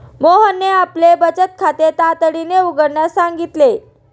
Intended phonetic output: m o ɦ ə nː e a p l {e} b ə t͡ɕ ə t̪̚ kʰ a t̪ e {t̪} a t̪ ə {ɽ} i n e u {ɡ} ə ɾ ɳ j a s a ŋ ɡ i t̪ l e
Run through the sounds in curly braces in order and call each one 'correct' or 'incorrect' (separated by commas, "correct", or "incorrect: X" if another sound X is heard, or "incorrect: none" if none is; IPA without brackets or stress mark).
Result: correct, correct, correct, correct